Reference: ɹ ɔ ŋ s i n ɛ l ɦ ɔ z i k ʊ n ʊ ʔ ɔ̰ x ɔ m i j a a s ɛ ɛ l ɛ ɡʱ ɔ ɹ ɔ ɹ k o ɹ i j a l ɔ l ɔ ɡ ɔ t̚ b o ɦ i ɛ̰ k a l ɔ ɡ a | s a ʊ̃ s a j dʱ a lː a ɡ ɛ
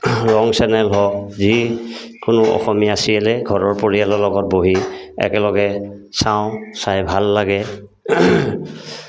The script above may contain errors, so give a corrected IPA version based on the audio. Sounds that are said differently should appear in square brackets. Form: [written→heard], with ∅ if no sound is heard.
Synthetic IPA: ɹ ɔ ŋ s [i→ɛ] n ɛ l ɦ ɔ z i k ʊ n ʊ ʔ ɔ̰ x ɔ m i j a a s [ɛ→i] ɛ l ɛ ɡʱ ɔ ɹ ɔ ɹ [k→p] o ɹ i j a l ɔ l ɔ ɡ ɔ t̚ b o ɦ i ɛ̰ k [a→ɛ] l ɔ ɡ [a→ɛ] | s a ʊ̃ s a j [dʱ→bʱ] a lː a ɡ ɛ